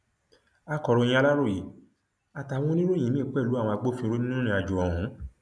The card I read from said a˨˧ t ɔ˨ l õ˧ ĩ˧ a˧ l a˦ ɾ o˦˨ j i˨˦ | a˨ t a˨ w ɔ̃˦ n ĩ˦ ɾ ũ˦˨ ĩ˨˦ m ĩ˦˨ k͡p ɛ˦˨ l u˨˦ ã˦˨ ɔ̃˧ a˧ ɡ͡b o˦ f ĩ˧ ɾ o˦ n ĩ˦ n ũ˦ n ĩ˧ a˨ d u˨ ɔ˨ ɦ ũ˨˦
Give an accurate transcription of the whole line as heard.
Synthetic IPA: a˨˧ k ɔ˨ ɾ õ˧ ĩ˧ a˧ l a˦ ɾ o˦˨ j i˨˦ | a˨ t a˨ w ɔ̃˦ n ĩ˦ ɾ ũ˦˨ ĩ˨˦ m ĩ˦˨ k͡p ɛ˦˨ l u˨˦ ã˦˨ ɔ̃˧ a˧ ɡ͡b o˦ f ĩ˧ ɾ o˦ n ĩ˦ n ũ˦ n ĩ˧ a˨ d͡ʒ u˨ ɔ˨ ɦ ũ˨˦